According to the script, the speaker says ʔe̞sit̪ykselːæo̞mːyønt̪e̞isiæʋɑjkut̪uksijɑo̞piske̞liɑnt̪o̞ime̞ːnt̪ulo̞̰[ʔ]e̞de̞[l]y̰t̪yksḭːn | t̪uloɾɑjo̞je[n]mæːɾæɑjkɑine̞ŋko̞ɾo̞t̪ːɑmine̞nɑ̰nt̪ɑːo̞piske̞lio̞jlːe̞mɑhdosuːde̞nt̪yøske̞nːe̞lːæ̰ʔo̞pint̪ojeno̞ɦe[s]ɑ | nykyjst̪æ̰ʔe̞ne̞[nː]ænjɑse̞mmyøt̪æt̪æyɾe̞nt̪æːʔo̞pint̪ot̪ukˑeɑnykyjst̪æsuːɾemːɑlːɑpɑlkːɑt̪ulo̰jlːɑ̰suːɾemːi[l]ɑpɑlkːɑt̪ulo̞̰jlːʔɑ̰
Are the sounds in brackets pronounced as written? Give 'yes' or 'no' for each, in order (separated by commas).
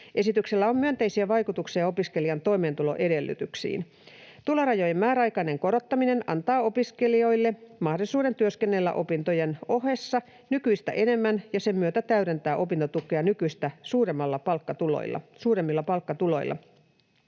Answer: yes, no, no, no, no, no